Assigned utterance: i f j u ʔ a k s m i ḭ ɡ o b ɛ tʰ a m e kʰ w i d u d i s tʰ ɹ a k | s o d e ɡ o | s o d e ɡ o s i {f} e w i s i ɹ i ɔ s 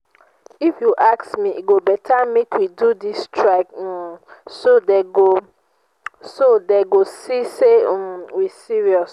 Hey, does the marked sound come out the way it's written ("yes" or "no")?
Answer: no